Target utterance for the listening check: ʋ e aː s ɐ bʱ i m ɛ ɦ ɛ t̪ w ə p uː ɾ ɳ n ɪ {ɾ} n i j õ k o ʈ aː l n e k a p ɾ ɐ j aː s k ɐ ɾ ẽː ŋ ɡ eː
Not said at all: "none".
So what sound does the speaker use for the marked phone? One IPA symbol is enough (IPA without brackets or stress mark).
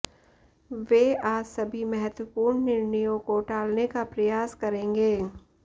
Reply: ɾ